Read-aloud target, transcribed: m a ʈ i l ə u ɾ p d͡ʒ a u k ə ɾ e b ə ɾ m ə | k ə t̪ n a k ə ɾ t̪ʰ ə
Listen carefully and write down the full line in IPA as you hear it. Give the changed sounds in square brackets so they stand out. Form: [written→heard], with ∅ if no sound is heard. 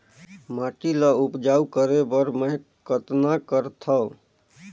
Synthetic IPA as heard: m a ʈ i l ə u [ɾ→∅] p d͡ʒ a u k ə ɾ e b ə ɾ m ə | k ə t̪ n a k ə ɾ t̪ʰ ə